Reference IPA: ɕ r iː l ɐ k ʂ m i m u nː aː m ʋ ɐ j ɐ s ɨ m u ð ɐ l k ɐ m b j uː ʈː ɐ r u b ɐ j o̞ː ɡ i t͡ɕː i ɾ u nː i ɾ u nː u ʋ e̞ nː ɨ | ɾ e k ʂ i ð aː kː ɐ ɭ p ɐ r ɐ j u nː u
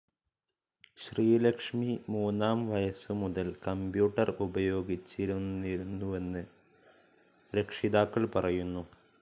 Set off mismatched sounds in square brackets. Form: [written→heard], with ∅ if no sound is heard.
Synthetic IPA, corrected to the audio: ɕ r iː l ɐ k ʂ m i m [u→uː] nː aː m ʋ ɐ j ɐ s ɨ m u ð ɐ l k ɐ m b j uː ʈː ɐ r u b ɐ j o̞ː ɡ i t͡ɕː i ɾ u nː i ɾ u nː u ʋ e̞ nː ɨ | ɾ e k ʂ i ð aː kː ɐ ɭ p ɐ r ɐ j u nː u

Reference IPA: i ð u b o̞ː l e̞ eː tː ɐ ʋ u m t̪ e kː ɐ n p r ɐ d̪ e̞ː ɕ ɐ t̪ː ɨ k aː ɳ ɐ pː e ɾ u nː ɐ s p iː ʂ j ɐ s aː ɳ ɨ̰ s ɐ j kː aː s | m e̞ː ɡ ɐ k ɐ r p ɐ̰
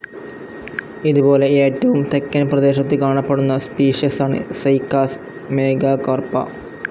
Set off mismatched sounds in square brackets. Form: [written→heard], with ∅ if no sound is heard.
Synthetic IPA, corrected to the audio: i ð u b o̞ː l e̞ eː tː ɐ ʋ u m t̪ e kː ɐ n p r ɐ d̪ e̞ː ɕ ɐ t̪ː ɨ k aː ɳ ɐ pː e [ɾ→ɽ] u nː ɐ s p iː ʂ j ɐ s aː ɳ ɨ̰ s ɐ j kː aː s | m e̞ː ɡ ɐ k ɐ r p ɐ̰

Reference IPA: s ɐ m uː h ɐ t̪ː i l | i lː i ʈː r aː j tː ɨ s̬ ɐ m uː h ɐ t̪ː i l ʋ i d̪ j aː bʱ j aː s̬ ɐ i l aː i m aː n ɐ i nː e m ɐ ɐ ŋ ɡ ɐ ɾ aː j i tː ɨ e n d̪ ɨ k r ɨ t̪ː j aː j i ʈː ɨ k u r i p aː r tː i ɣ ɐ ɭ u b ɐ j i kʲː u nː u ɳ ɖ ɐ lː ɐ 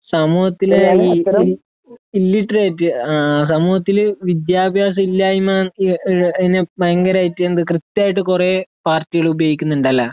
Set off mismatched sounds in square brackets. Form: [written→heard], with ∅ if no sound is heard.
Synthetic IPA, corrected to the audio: s ɐ m uː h ɐ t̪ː i l | i lː i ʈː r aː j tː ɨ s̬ ɐ m uː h ɐ t̪ː i l ʋ i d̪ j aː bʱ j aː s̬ ɐ i [l→lː] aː i m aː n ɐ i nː e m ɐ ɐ ŋ ɡ ɐ ɾ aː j i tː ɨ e n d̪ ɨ k r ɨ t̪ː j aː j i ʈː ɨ k u r [i→e] p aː r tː i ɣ ɐ ɭ u b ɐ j i kʲː u nː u ɳ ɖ ɐ lː ɐ

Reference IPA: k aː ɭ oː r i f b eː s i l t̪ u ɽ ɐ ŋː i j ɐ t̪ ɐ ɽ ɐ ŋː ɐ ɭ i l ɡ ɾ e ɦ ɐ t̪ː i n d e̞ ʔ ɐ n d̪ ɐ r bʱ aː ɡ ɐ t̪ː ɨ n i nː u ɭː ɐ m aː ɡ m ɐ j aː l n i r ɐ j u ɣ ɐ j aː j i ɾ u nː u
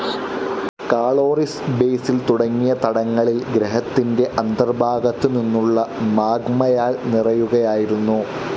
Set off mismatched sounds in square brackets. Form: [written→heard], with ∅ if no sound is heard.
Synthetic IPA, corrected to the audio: k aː ɭ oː r i [f→s] b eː s i l t̪ u ɽ ɐ ŋː i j ɐ t̪ ɐ ɽ ɐ ŋː ɐ ɭ i l ɡ ɾ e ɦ ɐ t̪ː i n d e̞ ʔ ɐ n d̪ ɐ r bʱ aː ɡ ɐ t̪ː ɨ n i nː u ɭː ɐ m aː ɡ m ɐ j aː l n i r ɐ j u ɣ ɐ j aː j i ɾ u nː u

